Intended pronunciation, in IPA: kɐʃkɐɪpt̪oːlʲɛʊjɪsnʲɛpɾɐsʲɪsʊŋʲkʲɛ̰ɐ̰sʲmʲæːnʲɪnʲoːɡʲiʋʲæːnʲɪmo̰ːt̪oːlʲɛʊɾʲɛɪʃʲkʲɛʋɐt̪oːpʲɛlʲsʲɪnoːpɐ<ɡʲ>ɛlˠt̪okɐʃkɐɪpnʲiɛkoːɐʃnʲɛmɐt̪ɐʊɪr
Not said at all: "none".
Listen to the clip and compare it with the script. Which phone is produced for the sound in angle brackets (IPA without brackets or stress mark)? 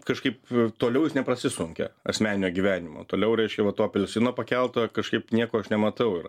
kʲ